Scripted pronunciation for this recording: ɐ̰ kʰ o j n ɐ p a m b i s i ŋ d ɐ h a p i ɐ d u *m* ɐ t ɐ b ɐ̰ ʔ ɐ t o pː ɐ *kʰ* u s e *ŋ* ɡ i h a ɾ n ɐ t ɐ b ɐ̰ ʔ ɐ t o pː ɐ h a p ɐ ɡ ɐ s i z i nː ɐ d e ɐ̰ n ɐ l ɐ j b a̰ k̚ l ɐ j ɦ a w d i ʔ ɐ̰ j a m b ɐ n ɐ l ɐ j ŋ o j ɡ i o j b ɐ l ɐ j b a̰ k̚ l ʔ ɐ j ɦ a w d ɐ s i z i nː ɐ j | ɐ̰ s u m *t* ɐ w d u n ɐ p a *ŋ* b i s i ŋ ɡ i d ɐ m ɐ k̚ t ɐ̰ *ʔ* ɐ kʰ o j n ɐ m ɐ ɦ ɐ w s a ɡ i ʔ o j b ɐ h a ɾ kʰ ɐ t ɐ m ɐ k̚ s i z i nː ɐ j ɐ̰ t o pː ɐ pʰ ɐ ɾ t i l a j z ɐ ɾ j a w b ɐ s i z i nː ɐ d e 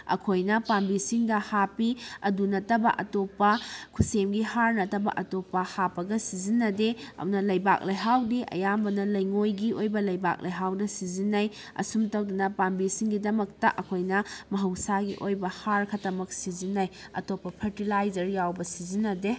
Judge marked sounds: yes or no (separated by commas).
no, yes, no, yes, no, yes